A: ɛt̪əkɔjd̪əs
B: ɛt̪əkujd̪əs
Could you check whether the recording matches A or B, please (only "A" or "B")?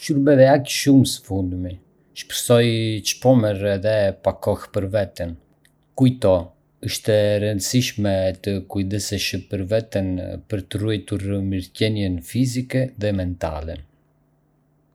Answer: B